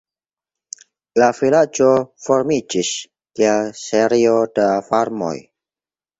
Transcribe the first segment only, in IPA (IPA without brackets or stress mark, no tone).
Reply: l